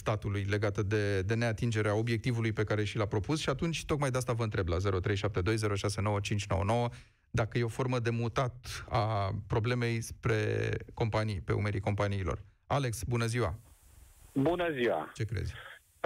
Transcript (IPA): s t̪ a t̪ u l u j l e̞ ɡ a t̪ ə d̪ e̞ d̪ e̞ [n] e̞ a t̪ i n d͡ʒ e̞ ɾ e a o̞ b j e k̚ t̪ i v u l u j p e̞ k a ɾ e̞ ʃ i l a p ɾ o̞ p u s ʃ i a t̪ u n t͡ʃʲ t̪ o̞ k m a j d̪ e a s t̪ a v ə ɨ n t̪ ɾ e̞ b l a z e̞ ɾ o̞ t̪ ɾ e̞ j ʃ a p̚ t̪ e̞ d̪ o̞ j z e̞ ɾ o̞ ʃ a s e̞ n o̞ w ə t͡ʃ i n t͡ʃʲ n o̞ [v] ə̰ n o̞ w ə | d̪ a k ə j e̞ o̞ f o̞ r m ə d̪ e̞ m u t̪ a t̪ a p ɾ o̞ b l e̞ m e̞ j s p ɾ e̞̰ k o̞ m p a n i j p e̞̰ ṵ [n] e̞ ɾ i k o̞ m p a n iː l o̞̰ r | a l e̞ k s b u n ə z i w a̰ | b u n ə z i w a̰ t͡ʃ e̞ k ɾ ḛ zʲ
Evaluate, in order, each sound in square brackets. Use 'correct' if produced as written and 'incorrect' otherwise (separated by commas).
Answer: correct, incorrect, incorrect